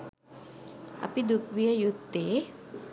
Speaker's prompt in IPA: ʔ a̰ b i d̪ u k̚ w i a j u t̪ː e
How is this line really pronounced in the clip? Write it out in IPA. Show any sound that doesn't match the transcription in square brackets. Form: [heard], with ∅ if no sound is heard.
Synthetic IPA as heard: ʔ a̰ [p] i d̪ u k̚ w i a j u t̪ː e

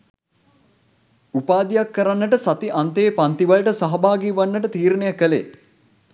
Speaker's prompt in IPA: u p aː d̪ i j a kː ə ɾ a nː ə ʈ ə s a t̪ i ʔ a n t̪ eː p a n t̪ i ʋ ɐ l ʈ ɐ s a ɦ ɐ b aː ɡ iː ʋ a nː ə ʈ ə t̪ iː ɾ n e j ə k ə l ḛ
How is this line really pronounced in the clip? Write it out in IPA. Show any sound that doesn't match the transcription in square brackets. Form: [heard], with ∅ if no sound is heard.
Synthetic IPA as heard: u p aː d̪ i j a kː ə ɾ a nː ə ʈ ə s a t̪ i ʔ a n t̪ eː p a n t̪ i ʋ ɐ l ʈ [ə] s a ɦ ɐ b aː ɡ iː ʋ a nː ə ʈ ə t̪ iː ɾ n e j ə k ə l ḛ

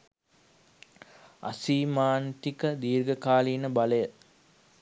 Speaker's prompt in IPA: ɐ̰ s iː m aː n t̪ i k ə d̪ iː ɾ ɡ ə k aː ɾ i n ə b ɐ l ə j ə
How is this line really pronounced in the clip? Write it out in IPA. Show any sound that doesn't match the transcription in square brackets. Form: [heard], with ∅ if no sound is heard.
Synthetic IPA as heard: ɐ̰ s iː m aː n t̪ i k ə d̪ iː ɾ ɡ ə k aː [l] i n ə b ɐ l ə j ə

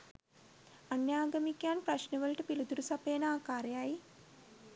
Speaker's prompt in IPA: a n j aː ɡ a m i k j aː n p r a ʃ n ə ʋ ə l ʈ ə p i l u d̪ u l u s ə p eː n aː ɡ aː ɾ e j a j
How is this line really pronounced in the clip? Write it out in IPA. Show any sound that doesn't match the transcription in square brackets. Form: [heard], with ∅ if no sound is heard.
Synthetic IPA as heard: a n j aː ɡ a m i k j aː n p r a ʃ n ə ʋ ə l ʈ ə p i l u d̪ u [ɾ] u s [a] p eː n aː [k] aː ɾ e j a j

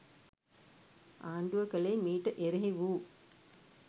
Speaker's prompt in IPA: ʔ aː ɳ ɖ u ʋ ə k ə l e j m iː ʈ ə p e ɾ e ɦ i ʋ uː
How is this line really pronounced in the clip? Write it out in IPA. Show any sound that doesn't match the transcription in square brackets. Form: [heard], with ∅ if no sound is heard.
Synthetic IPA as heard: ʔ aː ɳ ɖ u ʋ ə k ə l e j m iː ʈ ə [ʔ] e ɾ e ɦ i ʋ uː

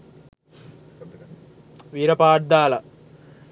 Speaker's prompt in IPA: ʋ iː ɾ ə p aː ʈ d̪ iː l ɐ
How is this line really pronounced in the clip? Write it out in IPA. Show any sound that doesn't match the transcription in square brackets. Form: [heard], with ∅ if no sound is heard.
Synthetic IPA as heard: ʋ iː ɾ [ɐ] p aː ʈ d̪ [aː] l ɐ

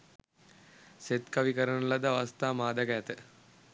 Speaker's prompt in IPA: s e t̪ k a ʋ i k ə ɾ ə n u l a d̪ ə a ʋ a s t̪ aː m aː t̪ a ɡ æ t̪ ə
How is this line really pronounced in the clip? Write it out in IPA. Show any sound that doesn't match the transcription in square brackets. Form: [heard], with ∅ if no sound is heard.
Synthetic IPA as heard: s e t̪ k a ʋ i k ə ɾ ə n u l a d̪ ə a ʋ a s t̪ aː m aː [d̪] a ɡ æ t̪ ə

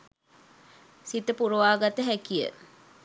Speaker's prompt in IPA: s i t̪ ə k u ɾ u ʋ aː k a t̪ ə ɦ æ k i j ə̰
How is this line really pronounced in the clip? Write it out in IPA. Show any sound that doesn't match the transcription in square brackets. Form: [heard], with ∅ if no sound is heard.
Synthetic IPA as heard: s i t̪ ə [p] u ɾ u ʋ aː [ɡ] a t̪ ə ɦ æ k i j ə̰

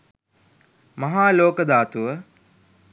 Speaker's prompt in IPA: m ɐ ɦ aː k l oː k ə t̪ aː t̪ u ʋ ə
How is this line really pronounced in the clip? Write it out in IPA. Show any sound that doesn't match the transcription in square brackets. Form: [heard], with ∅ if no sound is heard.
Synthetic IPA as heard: m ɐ ɦ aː [∅] l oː k ə [d̪] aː t̪ u ʋ ə

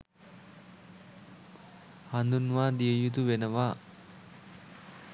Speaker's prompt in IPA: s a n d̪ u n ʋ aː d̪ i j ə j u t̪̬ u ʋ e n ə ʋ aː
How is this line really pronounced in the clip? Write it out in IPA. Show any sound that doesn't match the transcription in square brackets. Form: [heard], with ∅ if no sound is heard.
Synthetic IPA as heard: [h] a n d̪ u n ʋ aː d̪ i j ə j u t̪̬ u ʋ e n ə ʋ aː

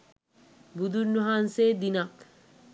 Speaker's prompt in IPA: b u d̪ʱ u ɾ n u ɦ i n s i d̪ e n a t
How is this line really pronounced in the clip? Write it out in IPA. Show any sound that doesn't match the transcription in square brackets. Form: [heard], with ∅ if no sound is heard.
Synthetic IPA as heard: b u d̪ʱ u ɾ n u ɦ [a] n s [e] d̪ [i] n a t

